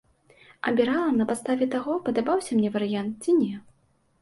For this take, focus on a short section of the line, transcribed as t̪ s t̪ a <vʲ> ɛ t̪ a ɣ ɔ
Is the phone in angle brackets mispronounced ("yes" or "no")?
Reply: no